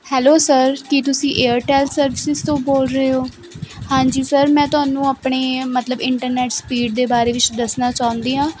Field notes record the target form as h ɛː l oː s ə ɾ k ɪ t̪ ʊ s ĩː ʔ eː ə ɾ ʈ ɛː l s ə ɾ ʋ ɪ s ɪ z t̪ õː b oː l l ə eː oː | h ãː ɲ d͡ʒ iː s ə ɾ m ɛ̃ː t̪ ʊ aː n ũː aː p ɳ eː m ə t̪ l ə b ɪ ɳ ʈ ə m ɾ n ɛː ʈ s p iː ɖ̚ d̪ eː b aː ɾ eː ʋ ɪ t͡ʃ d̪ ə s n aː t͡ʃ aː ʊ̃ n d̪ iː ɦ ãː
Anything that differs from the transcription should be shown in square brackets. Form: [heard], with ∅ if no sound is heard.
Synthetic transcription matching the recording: h ɛː l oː s ə ɾ k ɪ t̪ ʊ s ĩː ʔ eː ə ɾ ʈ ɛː l s ə ɾ ʋ ɪ s ɪ z t̪ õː b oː l [ɾ] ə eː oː | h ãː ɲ d͡ʒ iː s ə ɾ m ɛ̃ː t̪ ʊ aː n ũː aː p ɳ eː m ə t̪ l ə b ɪ ɳ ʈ ə [∅] ɾ n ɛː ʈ s p iː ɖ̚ d̪ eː b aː ɾ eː ʋ ɪ t͡ʃ d̪ ə s n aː t͡ʃ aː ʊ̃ n d̪ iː ɦ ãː